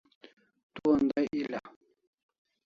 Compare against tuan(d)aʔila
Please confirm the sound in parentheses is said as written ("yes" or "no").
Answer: yes